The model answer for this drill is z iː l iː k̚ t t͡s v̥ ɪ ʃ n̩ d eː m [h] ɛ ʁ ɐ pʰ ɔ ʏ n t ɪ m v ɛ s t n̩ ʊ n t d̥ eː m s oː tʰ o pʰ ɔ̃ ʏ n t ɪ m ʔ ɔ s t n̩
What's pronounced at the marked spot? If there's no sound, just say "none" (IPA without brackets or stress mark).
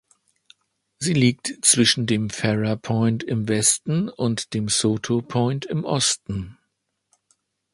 f